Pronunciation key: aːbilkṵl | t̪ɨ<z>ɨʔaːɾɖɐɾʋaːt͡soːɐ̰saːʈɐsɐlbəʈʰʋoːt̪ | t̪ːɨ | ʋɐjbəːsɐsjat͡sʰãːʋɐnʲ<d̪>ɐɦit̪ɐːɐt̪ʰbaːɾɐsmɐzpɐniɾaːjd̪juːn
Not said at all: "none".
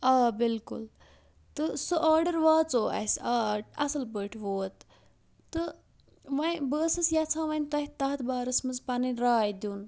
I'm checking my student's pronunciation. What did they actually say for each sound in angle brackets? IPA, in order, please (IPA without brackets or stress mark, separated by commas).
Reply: s, t̪